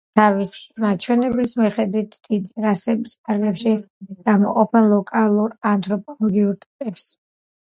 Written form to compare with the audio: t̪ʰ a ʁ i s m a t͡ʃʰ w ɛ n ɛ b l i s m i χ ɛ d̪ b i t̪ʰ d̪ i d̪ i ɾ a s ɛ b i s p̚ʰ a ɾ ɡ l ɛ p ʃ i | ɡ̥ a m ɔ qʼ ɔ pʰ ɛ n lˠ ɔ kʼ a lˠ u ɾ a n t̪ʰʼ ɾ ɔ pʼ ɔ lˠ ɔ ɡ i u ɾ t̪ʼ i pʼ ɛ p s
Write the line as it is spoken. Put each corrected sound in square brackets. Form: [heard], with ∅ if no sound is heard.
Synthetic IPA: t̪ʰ a [v] i s m a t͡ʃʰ w ɛ n ɛ b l i s m i χ ɛ d̪ [w] i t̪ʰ d̪ i d̪ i ɾ a s ɛ b i s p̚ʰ a ɾ ɡ l ɛ p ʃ i | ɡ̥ a m ɔ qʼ ɔ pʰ ɛ n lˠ ɔ kʼ a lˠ u ɾ a n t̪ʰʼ ɾ ɔ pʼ ɔ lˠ ɔ ɡ i u ɾ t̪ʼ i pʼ ɛ p s